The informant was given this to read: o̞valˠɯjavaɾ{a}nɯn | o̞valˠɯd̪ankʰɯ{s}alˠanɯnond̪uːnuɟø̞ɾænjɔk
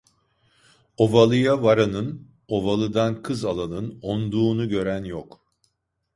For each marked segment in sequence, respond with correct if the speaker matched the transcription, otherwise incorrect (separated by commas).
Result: correct, incorrect